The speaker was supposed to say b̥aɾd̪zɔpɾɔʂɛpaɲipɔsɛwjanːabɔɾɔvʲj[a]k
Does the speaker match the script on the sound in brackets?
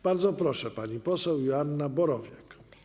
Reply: no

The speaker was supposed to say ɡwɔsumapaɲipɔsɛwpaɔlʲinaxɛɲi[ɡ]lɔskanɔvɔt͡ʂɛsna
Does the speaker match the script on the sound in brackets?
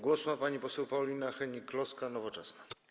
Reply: no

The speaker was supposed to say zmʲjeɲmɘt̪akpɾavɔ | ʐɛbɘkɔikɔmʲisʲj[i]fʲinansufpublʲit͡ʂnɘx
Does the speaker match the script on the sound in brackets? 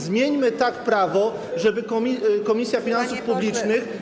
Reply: no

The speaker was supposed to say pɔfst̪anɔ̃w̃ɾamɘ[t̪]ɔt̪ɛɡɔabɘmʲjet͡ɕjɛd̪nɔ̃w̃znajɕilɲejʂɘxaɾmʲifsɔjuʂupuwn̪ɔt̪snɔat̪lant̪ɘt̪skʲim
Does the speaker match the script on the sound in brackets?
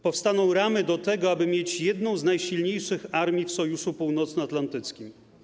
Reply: no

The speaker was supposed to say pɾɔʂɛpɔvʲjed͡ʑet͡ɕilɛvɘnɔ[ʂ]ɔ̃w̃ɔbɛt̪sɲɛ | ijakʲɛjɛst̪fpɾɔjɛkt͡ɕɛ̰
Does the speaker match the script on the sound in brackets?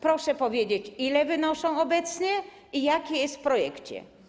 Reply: yes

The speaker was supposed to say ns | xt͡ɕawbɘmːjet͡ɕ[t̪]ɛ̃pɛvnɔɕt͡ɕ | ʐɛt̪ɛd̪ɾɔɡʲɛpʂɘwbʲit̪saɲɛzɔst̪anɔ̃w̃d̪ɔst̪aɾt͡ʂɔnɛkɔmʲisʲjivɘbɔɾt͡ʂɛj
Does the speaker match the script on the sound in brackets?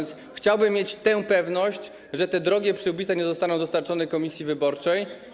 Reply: yes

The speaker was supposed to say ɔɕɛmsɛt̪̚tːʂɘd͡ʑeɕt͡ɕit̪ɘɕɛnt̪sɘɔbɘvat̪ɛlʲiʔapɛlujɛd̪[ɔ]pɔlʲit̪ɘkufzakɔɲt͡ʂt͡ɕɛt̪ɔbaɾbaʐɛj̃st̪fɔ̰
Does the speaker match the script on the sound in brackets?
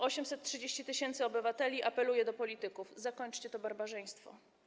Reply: yes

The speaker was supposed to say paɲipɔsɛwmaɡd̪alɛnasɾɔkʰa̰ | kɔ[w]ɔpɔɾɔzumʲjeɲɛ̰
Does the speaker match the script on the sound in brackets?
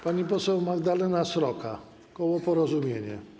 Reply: yes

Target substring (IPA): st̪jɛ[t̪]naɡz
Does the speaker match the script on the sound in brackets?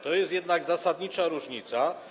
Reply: no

